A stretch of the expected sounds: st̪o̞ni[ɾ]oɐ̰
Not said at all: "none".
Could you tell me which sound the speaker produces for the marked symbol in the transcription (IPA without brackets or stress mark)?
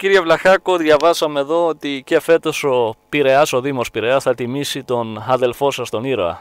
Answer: ɾ